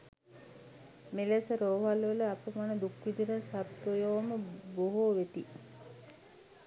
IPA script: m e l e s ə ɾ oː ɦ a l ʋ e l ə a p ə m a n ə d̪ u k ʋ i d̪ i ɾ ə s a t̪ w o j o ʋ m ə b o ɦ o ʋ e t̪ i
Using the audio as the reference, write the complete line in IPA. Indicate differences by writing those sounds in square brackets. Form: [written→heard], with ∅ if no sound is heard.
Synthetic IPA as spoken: m e l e s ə ɾ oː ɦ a l ʋ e l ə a p ə m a n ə d̪ u k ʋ i d̪ i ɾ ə s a t̪ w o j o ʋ m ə b o ɦ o ʋ e t̪ i